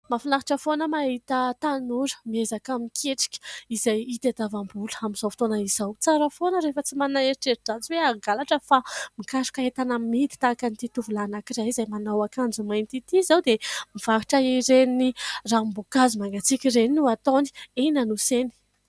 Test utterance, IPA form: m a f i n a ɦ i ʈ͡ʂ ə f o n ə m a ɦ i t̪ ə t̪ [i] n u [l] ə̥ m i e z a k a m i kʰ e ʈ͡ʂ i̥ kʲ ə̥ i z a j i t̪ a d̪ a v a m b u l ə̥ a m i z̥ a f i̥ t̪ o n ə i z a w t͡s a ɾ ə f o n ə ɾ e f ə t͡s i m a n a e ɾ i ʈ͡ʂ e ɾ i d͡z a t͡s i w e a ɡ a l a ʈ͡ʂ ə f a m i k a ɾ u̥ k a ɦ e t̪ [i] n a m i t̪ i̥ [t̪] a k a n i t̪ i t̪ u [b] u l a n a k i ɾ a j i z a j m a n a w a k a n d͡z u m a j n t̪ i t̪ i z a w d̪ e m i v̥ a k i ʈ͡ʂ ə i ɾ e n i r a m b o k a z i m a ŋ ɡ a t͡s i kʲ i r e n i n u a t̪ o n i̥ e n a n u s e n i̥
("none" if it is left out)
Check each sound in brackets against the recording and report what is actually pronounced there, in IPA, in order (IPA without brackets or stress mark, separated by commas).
a, ɾ, a, t̪, v